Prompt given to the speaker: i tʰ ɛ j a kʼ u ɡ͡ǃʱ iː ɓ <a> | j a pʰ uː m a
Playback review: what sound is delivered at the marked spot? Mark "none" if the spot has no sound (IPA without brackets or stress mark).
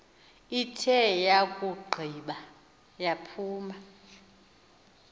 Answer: a